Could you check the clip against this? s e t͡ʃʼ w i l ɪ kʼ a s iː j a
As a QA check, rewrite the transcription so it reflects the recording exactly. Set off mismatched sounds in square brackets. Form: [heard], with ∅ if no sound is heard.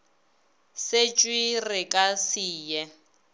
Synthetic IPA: s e t͡ʃʼ w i [r] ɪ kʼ a s iː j [ɛ]